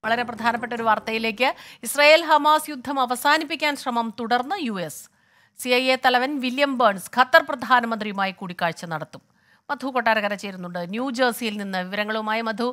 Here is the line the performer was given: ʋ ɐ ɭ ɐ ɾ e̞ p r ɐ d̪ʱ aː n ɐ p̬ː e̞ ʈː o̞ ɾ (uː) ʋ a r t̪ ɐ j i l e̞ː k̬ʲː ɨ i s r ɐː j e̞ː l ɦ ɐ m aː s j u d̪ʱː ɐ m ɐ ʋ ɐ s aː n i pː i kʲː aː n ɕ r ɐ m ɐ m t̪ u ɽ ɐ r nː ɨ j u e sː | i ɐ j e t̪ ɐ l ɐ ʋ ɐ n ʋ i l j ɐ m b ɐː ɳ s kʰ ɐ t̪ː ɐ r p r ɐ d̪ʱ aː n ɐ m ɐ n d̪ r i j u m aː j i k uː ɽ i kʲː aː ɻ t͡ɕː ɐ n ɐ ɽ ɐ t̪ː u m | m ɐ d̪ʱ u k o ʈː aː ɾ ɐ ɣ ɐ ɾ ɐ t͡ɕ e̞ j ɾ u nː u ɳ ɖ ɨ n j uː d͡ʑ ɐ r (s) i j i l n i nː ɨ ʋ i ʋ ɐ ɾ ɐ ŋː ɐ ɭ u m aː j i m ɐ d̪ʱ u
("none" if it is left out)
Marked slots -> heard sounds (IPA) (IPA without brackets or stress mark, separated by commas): u, s